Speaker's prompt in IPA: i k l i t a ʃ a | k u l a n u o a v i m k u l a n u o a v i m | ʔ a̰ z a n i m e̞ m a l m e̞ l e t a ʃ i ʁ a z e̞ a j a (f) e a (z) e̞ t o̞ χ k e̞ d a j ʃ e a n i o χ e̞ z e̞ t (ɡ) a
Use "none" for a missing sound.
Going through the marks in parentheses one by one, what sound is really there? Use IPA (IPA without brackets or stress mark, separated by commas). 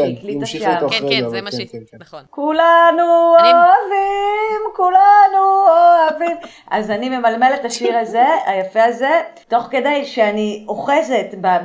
f, z, b